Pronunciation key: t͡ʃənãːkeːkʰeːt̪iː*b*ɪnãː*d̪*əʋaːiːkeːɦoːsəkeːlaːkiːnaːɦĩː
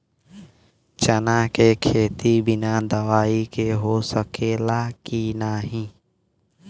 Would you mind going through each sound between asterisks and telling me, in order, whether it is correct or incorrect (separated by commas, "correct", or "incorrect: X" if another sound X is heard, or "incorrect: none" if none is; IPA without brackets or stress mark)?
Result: correct, correct